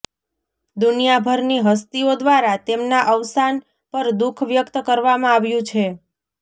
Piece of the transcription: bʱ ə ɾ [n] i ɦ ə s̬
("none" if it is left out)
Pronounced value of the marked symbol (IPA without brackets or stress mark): n